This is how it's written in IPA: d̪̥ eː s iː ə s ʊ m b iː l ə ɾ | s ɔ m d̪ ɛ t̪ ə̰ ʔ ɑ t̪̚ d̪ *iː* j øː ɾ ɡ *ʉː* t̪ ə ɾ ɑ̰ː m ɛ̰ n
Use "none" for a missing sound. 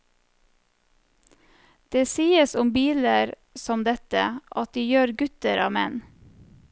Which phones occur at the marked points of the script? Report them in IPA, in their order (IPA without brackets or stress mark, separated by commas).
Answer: iː, ʉ